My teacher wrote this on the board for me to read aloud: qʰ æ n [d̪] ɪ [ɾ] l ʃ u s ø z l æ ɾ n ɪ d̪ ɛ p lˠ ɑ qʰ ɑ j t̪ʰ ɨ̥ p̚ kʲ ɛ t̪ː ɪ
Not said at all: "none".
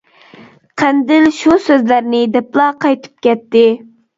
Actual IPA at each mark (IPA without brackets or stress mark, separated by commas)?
d̪, none